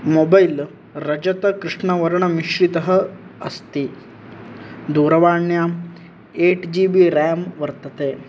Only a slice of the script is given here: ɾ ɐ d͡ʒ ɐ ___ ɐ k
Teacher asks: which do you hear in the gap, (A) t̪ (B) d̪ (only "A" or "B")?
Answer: A